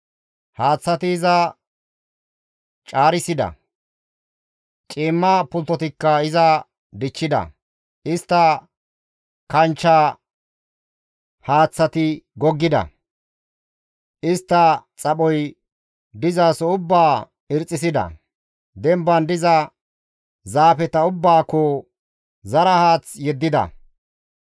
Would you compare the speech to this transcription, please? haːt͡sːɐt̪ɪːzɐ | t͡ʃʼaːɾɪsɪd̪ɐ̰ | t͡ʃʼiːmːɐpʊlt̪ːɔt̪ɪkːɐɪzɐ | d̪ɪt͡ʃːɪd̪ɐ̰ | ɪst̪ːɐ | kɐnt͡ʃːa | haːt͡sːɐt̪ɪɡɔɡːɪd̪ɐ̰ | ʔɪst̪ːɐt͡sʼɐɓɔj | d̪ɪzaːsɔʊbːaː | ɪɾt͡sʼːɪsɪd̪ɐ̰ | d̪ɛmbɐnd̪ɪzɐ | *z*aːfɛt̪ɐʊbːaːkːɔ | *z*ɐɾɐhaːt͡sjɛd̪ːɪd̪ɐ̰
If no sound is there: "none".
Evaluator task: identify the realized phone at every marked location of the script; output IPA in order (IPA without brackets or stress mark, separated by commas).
z, z